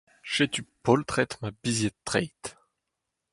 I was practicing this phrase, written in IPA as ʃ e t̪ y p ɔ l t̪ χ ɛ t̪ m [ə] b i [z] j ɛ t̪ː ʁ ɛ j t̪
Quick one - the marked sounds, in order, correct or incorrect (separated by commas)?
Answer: incorrect, correct